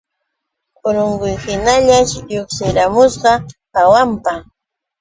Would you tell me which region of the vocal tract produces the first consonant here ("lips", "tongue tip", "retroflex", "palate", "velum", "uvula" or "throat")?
tongue tip